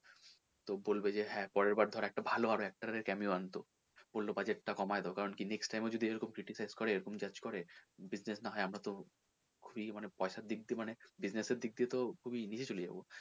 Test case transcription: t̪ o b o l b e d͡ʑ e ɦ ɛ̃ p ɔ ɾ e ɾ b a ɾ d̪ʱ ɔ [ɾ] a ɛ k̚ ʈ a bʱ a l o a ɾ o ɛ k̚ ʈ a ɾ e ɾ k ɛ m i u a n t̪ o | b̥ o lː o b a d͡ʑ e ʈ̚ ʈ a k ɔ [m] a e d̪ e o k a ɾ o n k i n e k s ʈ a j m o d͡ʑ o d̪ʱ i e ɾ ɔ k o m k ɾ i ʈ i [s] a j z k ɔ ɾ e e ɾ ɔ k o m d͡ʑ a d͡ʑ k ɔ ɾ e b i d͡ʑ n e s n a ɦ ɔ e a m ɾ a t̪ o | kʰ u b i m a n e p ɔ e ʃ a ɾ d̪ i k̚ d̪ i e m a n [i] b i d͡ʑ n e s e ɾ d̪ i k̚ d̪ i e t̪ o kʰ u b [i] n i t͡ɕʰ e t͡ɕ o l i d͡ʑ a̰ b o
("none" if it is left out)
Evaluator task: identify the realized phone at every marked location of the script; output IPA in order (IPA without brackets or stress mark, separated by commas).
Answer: ɾ, m, s, e, i